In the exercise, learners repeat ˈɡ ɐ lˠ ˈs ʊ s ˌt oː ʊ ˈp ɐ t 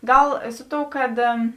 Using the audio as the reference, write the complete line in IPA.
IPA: ˈɡ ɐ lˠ ˈs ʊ ˌt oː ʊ ˈk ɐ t